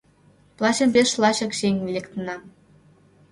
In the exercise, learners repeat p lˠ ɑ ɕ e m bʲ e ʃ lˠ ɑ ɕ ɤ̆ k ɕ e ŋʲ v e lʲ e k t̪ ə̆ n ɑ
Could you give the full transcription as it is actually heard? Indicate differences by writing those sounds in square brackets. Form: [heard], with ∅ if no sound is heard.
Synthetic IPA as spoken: p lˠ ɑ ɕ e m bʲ e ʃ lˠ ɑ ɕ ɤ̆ k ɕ e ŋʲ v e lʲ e k t̪ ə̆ n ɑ

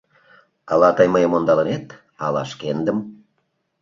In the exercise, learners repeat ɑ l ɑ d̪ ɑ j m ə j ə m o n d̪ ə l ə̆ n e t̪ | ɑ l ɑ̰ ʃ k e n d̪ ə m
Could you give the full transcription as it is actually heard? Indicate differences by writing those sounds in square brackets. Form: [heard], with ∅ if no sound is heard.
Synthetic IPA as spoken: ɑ l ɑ [t̪] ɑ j m ə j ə m o n d̪ [ɑ] l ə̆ n e t̪ | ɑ l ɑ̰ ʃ k e n d̪ ə m

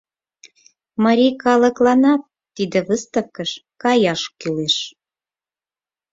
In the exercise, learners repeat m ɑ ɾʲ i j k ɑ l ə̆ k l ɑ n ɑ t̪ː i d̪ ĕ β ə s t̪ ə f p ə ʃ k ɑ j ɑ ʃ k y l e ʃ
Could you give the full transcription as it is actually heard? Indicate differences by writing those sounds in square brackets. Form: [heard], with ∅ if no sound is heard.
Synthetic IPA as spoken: m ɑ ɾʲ i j k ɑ l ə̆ k l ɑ n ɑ t̪ː i d̪ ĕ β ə s t̪ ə f [k] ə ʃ k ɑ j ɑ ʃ k y l e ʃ

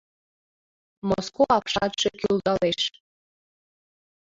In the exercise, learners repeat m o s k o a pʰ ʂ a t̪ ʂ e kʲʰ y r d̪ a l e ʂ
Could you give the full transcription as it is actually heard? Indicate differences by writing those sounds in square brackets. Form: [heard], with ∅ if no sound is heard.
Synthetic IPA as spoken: m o s k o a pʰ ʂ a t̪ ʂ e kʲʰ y [l] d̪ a l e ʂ

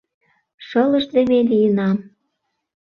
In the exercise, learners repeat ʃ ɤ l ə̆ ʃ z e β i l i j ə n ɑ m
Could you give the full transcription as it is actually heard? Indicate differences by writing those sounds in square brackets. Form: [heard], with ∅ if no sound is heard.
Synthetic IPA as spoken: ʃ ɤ l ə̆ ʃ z e β [e] l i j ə n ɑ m

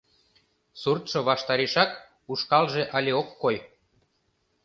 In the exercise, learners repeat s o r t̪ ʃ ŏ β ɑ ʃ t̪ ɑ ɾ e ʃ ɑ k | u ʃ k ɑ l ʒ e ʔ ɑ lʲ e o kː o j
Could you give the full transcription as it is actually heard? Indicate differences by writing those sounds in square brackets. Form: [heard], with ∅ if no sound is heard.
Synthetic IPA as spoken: s [u] r t̪ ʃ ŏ β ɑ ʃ t̪ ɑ ɾ e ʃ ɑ k | u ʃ k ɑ l ʒ e ʔ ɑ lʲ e o kː o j

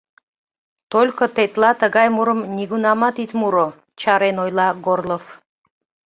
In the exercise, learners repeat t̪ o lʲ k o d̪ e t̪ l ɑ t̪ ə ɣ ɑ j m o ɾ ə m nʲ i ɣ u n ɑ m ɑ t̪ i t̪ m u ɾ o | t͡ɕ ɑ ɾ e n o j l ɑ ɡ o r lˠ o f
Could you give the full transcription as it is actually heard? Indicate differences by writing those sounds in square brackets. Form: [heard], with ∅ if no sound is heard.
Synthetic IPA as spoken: t̪ o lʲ k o [t̪] e t̪ l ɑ t̪ ə ɣ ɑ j m [u] ɾ ə m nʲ i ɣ u n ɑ m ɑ t̪ i t̪ m u ɾ o | t͡ɕ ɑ ɾ e n o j l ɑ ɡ o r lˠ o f

